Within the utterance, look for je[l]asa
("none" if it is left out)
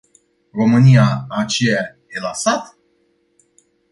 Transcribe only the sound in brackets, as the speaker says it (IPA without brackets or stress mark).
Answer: l